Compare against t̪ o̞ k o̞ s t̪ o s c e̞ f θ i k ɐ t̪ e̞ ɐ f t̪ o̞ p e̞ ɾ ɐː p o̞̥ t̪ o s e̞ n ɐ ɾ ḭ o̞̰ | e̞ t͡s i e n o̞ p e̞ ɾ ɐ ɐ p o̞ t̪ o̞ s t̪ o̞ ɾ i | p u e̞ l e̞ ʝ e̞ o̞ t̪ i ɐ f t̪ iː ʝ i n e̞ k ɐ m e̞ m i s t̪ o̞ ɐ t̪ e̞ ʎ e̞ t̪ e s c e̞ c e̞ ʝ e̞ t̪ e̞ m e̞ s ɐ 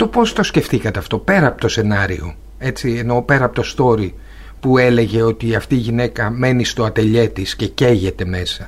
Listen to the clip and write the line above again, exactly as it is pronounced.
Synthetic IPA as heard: t̪ o̞ p o̞ s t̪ o s c e̞ f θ i k ɐ t̪ e̞ ɐ f t̪ o̞ p e̞ ɾ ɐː p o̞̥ t̪ o s e̞ n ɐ ɾ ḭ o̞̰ | e̞ t͡s i e n o̞ p e̞ ɾ ɐ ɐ p o̞ t̪ o̞ s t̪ o̞ ɾ i | p u e̞ l e̞ ʝ e̞ o̞ t̪ i ɐ f t̪ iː ʝ i n e̞ k ɐ m e̞ n i s t̪ o̞ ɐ t̪ e̞ ʎ e̞ t̪ i s c e̞ c e̞ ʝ e̞ t̪ e̞ m e̞ s ɐ